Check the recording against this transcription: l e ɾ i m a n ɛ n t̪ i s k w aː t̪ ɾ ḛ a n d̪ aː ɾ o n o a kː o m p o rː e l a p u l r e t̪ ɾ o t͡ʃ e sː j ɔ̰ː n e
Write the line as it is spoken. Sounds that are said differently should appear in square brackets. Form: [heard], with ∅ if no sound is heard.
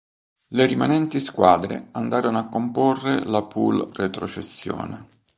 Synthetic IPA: l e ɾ i m a n ɛ n t̪ i s k w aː [d̪] ɾ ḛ a n d̪ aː ɾ o n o a kː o m p o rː e l a p u l r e t̪ ɾ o t͡ʃ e sː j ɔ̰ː n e